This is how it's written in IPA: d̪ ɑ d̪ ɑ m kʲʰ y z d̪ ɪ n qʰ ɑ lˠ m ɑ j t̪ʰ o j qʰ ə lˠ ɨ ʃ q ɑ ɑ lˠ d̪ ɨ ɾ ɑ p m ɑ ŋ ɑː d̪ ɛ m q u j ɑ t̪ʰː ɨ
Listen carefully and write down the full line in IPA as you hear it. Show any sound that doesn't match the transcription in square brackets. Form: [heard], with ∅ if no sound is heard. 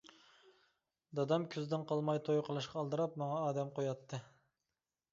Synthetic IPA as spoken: d̪ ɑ d̪ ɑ m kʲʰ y z d̪ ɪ n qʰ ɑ lˠ m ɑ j t̪ʰ o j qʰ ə lˠ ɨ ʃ q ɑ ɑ lˠ d̪ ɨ ɾ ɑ p m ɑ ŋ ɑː d̪ ɛ m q [o] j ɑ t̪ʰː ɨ